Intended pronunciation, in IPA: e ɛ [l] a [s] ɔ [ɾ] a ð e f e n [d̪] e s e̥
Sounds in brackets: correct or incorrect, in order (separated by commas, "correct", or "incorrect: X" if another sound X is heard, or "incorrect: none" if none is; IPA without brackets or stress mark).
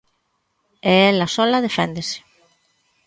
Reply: correct, correct, incorrect: l, correct